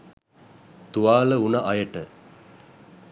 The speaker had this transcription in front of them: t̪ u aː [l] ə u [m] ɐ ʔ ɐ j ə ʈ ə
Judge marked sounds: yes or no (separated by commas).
yes, no